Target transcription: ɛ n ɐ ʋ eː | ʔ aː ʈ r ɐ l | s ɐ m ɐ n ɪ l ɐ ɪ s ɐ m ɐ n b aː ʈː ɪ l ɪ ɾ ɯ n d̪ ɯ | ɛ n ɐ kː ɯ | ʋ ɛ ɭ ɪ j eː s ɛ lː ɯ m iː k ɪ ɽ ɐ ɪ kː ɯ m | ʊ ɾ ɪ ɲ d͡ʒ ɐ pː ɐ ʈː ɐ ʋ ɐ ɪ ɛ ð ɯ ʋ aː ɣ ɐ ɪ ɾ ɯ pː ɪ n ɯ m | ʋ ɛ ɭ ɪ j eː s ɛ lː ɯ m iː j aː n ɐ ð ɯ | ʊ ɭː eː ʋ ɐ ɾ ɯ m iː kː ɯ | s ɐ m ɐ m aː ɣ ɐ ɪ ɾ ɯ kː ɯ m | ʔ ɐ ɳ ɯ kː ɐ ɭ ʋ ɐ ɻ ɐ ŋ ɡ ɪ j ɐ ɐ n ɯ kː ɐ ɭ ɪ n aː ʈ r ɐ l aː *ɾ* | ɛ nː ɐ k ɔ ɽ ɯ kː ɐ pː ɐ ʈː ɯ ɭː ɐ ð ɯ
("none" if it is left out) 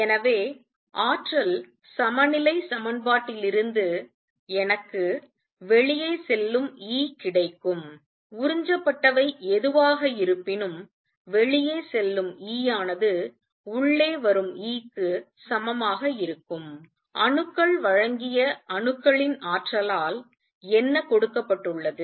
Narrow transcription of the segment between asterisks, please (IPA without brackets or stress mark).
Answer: l